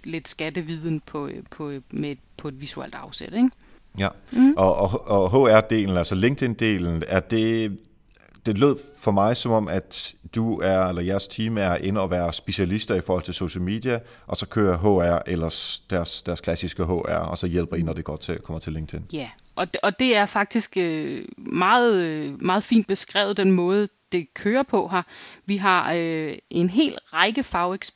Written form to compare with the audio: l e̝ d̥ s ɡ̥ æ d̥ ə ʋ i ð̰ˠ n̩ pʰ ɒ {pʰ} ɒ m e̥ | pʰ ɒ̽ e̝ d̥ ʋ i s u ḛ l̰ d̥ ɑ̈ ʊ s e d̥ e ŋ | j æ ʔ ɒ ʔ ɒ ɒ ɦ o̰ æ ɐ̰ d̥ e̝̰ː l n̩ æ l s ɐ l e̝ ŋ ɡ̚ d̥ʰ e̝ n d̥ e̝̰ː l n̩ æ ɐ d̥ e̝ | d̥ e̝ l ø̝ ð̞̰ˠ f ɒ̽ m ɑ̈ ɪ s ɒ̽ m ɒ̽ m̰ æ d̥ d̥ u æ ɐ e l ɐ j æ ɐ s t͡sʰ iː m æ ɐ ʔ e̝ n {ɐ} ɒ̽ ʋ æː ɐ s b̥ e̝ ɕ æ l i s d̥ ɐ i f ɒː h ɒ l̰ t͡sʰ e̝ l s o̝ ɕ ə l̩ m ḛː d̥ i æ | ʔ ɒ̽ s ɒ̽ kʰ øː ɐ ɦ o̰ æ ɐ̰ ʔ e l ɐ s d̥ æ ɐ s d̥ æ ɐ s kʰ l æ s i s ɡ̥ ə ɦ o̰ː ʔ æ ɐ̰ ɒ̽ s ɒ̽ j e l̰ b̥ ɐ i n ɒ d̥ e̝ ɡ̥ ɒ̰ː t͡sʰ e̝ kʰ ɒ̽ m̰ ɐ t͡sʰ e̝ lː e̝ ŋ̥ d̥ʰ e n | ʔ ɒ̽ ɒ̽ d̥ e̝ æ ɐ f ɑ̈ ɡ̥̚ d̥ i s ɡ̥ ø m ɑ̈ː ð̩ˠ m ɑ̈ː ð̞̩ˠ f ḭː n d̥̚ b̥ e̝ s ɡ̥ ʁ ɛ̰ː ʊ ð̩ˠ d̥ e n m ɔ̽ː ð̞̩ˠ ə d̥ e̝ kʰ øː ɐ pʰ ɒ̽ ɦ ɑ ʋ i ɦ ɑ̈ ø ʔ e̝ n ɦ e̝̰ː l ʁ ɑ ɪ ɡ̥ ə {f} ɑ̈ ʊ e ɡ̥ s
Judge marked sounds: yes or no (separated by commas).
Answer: yes, no, yes